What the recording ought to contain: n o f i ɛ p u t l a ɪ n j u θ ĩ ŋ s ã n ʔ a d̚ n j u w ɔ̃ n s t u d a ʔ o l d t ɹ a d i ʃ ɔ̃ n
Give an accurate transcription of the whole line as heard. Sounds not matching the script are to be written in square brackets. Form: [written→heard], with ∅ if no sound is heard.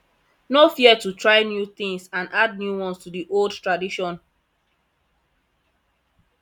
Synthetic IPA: n o f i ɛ [p→t] u t [l→ɹ] a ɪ n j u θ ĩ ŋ s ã n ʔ a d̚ n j u w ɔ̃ n s t u d [a→i] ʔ o l d t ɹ a d i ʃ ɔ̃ n

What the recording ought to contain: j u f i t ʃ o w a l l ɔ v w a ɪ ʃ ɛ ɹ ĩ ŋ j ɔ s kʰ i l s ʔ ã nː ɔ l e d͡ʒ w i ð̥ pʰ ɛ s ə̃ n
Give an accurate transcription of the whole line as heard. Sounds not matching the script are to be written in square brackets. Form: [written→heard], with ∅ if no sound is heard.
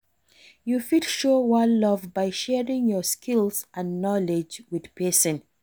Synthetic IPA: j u f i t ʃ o w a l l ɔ v [w→b] a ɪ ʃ ɛ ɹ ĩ ŋ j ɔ s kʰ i l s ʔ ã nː ɔ l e d͡ʒ w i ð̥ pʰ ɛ s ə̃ n

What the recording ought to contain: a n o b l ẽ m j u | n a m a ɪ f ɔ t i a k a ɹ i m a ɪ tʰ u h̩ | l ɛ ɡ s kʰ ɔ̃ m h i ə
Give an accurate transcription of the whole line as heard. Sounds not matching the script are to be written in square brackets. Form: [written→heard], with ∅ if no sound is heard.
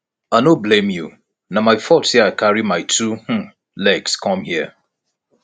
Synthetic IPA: a n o b l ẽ m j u | n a m a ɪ f ɔ t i a k a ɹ i m a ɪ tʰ u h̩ | l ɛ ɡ s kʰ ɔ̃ m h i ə

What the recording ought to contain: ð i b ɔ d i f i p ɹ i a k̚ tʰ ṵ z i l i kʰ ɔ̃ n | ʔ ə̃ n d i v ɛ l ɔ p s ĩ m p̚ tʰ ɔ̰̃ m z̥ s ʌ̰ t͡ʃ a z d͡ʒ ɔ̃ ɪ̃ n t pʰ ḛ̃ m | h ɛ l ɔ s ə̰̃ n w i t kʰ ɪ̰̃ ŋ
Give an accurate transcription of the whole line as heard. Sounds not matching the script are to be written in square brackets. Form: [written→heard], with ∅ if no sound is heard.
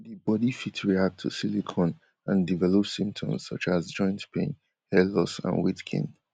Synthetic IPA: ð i b ɔ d i f i [p→t] ɹ i a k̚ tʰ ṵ [z→s] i l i kʰ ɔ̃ n | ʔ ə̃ n d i v ɛ l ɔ p s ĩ m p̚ tʰ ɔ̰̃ m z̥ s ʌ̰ t͡ʃ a z d͡ʒ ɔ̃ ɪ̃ n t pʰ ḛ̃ [m→n] | h ɛ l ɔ s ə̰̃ n w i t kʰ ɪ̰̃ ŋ

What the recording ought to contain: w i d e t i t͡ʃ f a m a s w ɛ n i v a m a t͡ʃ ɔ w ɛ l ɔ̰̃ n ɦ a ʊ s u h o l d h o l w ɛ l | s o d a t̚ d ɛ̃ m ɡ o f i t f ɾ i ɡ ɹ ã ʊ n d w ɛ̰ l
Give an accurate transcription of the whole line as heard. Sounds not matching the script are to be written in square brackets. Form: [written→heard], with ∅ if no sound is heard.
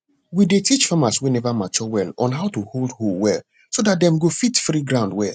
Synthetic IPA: w i d e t i t͡ʃ f a m a s w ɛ n [i→ɛ] v a m a t͡ʃ ɔ w ɛ l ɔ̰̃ n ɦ a ʊ [s→t] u h o l d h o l w ɛ l | s o d a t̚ d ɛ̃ m ɡ o f i t f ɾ i ɡ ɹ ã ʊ n d w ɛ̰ l

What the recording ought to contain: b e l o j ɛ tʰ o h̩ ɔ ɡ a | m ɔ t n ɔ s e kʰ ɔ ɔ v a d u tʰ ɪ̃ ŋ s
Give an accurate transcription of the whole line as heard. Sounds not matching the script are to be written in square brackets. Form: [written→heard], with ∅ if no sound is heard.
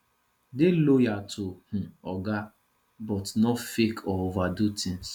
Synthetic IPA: [b→d] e l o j [ɛ→a] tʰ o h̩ ɔ ɡ a | [m→b] ɔ t n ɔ [s→f] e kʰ ɔ [ɔ→o] v a d u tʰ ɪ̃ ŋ s

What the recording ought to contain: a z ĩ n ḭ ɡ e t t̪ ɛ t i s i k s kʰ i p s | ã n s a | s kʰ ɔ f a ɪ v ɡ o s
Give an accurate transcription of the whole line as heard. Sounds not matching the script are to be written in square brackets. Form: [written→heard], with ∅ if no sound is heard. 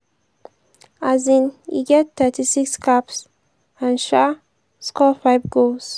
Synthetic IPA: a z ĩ n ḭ ɡ [e→ɛ] t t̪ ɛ t i s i k s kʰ [i→a] p s | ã n [s→ʃ] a | s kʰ ɔ f a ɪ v ɡ o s

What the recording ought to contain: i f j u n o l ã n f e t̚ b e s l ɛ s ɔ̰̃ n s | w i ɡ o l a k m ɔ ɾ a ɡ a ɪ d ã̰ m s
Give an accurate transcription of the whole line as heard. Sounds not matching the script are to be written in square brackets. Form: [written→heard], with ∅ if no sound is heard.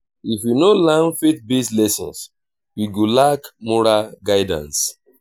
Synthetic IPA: i f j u n o l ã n f e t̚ b e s l ɛ s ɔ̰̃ n s | w i ɡ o l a k m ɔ ɾ a ɡ a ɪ d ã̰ [m→n] s

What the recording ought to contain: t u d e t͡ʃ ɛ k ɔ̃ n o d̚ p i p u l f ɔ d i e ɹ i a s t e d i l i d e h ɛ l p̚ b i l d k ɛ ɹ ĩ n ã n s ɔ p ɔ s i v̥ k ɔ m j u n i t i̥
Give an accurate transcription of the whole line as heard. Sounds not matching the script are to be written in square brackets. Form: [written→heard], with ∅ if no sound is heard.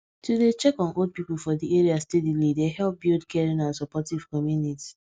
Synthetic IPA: t u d e t͡ʃ ɛ k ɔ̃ n o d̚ p i p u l f ɔ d i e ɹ i a s t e d i l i d e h ɛ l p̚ b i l d k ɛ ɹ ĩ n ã n s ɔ p ɔ [s→t] i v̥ k ɔ m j u n i t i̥

